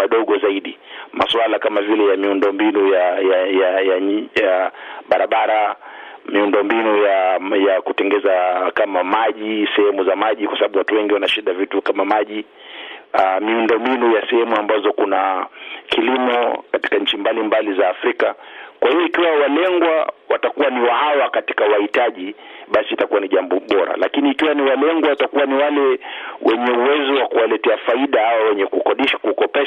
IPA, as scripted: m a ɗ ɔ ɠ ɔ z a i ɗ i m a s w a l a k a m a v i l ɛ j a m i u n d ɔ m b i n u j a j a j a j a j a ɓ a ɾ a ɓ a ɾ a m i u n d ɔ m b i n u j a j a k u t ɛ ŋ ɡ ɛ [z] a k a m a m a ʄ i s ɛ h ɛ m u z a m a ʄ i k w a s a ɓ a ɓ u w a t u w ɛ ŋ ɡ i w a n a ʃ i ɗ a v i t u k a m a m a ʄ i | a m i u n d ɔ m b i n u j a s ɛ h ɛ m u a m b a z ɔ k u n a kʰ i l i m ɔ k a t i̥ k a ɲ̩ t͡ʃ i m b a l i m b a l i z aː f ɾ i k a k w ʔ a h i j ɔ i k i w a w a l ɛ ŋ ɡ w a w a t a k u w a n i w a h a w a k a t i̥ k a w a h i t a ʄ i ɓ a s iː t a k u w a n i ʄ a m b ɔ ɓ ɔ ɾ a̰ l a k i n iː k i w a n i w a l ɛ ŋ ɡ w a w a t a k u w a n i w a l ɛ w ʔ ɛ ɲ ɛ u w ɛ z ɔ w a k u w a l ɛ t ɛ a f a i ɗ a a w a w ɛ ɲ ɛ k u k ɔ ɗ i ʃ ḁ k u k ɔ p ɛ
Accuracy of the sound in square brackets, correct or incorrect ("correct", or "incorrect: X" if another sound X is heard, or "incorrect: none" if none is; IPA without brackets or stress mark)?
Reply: correct